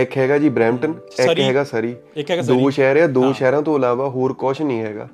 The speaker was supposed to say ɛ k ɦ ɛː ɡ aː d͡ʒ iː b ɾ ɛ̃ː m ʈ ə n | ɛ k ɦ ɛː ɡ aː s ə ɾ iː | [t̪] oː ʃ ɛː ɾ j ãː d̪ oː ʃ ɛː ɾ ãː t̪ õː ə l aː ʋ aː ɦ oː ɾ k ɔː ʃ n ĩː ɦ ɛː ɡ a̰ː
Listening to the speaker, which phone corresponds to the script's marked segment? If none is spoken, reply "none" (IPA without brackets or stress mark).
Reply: d̪